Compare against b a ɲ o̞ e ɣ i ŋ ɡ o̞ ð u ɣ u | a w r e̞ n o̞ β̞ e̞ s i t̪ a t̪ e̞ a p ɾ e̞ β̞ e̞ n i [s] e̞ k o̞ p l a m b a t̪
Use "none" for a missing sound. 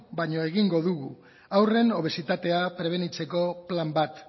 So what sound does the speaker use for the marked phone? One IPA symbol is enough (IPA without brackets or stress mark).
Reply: t͡s